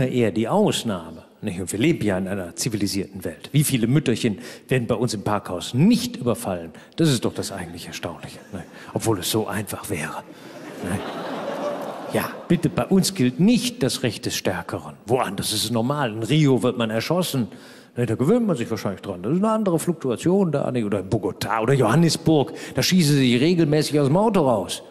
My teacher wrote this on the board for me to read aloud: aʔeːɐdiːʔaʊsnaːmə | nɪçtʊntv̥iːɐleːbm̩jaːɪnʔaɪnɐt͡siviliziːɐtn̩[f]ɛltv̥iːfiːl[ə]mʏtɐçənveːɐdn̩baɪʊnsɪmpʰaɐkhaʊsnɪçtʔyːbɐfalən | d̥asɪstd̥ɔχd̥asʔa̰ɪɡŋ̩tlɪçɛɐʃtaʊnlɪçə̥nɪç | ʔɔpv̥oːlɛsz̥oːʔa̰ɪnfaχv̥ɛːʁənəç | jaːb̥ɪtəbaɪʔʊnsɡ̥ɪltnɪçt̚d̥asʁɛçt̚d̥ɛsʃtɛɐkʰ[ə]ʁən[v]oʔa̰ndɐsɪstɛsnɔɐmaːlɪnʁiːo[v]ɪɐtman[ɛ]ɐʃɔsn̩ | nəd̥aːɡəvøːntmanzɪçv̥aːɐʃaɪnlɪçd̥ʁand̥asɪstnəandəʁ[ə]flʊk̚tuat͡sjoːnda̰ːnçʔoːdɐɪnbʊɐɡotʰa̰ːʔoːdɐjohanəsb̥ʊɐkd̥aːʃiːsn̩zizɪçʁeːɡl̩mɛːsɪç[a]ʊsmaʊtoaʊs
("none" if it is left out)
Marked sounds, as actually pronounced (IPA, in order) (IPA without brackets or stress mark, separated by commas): v, ə, ə, v, v, ɛ, ə, a